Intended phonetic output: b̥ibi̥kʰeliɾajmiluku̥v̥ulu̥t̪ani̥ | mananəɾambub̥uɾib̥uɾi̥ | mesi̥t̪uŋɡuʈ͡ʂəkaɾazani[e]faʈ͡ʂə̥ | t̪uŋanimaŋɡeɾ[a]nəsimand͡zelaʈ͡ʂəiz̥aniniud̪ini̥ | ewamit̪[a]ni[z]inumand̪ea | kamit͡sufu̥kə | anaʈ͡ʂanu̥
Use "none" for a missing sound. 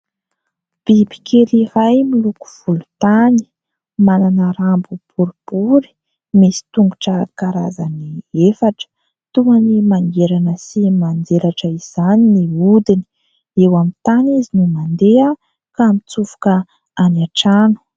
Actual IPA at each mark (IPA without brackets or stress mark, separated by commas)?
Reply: e, a, a, z